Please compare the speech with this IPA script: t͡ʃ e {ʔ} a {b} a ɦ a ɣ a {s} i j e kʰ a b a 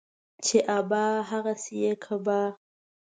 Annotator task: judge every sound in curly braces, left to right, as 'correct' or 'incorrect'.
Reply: correct, correct, correct

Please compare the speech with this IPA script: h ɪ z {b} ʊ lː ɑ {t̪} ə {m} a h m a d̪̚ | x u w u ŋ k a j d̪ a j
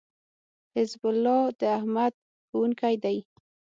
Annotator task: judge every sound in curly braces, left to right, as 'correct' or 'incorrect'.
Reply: correct, incorrect, incorrect

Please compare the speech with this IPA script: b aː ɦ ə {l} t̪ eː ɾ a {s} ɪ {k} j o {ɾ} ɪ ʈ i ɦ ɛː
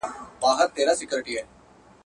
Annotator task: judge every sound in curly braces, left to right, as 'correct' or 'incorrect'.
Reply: incorrect, correct, correct, correct

